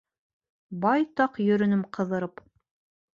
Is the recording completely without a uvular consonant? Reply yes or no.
no